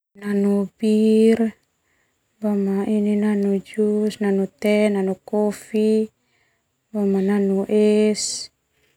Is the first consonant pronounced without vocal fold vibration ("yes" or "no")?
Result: no